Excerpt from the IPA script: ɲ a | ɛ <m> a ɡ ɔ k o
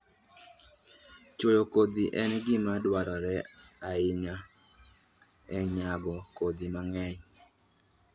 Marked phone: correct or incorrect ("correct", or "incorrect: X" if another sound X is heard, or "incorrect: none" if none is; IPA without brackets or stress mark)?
incorrect: ɲ